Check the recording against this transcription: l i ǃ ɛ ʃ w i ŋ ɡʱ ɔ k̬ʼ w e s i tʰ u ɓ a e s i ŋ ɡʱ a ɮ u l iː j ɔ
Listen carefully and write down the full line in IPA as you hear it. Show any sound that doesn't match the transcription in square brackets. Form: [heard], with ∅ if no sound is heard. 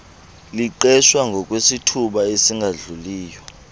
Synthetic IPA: l i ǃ ɛ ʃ w [a] ŋ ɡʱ ɔ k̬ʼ w e s i tʰ u ɓ a e s i ŋ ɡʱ a ɮ u l iː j ɔ